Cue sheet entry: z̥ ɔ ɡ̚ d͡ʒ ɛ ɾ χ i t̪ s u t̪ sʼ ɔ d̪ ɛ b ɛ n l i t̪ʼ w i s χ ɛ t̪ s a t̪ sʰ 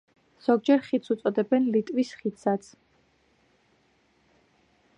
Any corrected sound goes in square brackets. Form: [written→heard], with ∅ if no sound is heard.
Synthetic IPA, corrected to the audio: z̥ ɔ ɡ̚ d͡ʒ ɛ ɾ χ i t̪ s u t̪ sʼ ɔ d̪ ɛ b ɛ n l i t̪ʼ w i s χ [ɛ→i] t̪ s a t̪ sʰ